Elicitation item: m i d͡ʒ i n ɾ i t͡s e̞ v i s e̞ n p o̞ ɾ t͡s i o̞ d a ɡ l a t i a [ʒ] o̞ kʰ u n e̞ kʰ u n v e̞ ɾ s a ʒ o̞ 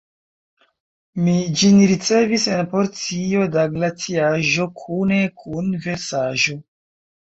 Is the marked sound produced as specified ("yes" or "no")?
yes